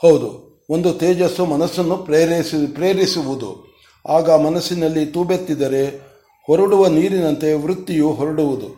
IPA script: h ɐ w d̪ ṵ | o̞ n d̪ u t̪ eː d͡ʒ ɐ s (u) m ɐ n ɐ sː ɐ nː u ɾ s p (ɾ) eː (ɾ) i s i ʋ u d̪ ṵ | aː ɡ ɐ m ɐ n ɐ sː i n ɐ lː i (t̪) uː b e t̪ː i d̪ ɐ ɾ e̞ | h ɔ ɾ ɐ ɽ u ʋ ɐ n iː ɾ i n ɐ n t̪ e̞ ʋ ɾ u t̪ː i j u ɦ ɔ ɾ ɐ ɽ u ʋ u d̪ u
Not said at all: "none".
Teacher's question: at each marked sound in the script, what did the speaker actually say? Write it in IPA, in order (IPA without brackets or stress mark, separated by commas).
u, ɾ, ɾ, t̪